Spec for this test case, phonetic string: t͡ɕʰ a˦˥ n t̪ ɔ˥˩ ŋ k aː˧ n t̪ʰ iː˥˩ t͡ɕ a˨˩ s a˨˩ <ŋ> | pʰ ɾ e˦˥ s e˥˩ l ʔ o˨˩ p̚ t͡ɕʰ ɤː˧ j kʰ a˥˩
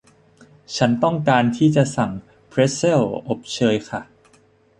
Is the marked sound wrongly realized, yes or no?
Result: no